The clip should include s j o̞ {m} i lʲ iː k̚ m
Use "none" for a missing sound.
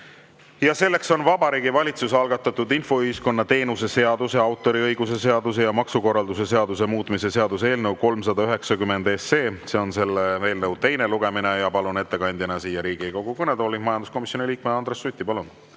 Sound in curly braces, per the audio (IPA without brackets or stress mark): n